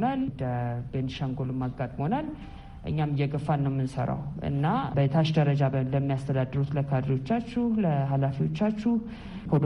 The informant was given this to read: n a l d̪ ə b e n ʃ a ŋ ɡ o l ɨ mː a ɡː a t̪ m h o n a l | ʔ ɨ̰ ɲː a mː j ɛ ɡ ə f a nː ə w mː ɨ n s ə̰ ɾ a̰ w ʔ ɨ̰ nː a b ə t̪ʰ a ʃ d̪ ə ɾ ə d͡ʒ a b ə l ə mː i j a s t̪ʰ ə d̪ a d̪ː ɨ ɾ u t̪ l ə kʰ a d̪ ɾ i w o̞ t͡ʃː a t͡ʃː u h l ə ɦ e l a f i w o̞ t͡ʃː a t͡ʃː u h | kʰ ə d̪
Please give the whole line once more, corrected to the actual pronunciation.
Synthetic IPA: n a l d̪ ə b e n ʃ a ŋ ɡ o l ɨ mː a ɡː a t̪ʼ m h o n a l | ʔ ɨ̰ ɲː a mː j ɛ ɡ ə f a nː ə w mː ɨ n s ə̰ ɾ a̰ w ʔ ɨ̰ nː a b ə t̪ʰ a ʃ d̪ ə ɾ ə d͡ʒ a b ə l ə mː i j a s t̪ʰ ə d̪ a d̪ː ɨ ɾ u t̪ l ə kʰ a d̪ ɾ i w o̞ t͡ʃː a t͡ʃː u h l ə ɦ a l a f i w o̞ t͡ʃː a t͡ʃː u h | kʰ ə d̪